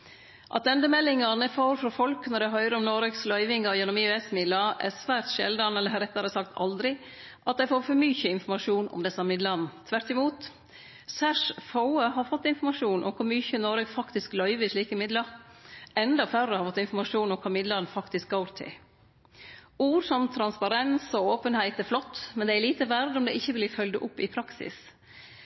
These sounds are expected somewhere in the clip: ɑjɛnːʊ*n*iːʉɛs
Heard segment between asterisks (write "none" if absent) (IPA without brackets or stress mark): m